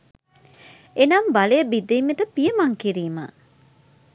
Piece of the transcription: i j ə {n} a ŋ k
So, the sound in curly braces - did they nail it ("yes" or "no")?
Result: no